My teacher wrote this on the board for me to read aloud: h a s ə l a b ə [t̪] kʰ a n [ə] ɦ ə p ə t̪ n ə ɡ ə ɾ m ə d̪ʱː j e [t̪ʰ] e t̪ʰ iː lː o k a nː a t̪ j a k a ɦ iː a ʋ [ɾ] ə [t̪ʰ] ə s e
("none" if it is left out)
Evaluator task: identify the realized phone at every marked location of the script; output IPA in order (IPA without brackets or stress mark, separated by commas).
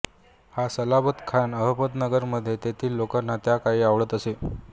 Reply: t̪, ə, t̪, ɭ, t̪